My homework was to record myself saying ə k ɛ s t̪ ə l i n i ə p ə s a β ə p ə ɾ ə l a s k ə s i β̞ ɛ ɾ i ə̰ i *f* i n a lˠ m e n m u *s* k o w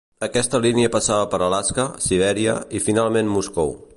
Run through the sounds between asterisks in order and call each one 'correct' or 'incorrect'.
correct, correct

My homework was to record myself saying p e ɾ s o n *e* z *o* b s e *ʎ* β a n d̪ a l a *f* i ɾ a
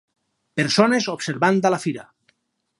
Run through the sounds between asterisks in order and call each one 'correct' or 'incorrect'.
correct, correct, incorrect, correct

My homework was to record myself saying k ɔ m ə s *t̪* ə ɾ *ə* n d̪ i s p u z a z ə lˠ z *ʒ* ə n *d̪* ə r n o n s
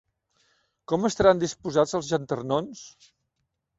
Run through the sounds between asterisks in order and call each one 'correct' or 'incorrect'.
correct, incorrect, correct, incorrect

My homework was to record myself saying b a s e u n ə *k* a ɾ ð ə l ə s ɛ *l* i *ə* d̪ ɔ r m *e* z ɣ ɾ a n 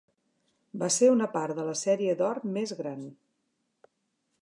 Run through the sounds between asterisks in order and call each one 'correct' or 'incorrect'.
incorrect, incorrect, correct, correct

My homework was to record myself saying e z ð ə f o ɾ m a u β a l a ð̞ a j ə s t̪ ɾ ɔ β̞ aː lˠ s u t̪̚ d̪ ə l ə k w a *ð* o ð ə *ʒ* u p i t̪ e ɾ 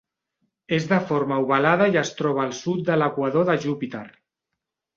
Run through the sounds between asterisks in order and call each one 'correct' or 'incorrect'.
correct, correct

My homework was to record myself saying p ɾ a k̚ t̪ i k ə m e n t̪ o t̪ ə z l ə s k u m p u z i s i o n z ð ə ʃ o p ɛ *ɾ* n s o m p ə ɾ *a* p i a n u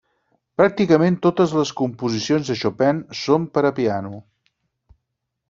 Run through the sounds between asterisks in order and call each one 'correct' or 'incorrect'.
incorrect, incorrect

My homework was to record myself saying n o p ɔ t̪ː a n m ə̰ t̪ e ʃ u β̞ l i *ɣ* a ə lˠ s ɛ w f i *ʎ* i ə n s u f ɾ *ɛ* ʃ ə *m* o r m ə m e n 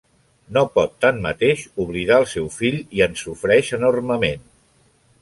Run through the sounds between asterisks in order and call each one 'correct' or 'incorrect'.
incorrect, correct, correct, incorrect

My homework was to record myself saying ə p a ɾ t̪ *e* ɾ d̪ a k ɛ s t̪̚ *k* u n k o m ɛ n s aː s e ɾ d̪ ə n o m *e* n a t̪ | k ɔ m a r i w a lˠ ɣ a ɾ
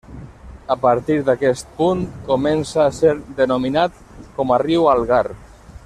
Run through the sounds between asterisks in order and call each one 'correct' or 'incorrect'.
incorrect, incorrect, incorrect

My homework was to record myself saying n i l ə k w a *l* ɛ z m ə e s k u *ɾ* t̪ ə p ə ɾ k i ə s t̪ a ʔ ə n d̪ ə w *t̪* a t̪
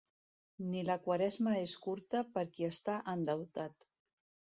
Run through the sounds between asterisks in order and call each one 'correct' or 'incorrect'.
incorrect, correct, correct

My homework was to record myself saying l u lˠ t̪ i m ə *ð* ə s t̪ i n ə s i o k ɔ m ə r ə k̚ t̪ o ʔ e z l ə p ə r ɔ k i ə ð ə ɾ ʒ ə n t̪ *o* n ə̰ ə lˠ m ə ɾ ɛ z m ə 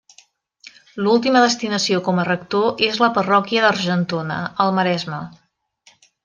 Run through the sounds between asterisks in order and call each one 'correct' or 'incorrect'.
correct, correct

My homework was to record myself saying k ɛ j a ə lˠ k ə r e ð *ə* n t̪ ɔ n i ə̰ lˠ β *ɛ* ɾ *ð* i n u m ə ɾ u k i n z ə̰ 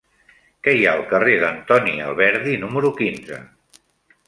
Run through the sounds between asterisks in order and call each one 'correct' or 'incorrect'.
correct, correct, correct

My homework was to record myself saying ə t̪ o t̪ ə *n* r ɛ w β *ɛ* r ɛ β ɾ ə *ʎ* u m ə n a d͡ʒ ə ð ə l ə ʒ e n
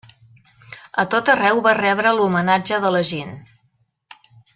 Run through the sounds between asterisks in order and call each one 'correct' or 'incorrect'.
incorrect, incorrect, incorrect

